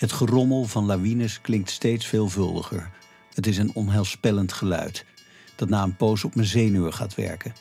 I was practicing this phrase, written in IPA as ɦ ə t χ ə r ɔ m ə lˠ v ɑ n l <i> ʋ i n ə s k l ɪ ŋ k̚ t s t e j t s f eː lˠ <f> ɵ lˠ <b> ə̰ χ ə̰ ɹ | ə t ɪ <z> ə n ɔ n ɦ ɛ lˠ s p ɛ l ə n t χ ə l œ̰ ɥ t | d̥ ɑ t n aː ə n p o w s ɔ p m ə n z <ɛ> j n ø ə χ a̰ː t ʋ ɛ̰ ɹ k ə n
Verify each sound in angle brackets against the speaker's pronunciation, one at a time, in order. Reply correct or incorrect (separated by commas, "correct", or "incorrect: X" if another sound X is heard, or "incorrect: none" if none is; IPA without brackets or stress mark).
incorrect: a, incorrect: v, incorrect: d, incorrect: s, incorrect: e